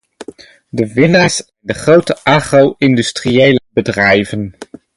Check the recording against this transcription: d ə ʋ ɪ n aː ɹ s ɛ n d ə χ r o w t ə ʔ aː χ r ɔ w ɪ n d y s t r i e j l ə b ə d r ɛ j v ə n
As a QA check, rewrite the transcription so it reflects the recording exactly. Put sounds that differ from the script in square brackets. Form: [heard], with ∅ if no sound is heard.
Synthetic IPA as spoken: d ə ʋ ɪ n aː ɹ s ɛ n d ə χ r o w t ə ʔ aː χ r [o] w ɪ n d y s t r i e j l ə b ə d r ɛ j v ə n